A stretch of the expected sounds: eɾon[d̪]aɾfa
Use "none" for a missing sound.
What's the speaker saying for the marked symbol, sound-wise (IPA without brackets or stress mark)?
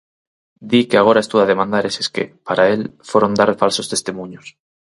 d̪